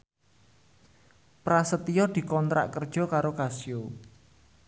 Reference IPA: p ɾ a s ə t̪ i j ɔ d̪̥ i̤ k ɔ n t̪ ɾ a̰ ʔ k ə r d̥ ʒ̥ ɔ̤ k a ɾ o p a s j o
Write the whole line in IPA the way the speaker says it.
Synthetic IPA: p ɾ a s ə t̪ i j ɔ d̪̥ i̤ k ɔ n t̪ ɾ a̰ ʔ k ə r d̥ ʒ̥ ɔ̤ k a ɾ o k a s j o